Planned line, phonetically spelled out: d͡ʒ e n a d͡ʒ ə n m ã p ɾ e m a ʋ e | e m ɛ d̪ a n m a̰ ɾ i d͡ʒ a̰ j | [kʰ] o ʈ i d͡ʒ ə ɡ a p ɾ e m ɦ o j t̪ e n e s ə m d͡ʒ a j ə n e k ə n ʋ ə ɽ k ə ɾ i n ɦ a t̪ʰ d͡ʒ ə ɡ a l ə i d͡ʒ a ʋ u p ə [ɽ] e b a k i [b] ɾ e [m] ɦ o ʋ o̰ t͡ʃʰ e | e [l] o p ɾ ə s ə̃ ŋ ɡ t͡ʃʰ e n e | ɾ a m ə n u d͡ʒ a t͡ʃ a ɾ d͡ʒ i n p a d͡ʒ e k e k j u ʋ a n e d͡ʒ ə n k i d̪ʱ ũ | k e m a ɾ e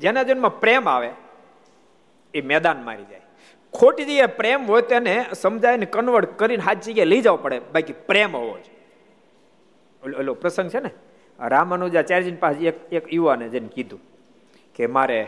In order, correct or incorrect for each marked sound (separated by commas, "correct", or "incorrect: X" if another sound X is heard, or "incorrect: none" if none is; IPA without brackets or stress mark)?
correct, correct, incorrect: p, correct, correct